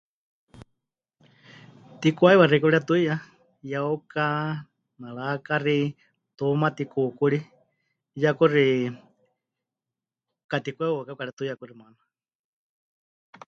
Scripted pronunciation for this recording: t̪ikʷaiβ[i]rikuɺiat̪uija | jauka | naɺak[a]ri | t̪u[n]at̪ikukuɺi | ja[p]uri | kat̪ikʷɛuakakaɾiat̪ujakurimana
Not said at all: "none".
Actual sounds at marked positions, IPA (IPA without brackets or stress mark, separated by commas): a, a, m, k